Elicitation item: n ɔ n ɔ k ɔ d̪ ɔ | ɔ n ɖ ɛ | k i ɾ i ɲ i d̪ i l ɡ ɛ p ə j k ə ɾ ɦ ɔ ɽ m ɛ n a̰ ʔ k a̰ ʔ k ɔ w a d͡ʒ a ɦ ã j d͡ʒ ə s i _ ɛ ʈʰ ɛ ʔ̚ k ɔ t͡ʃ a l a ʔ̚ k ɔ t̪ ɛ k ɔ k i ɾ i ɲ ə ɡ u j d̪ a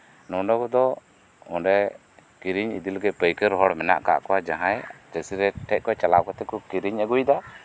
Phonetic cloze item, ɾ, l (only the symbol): ɾ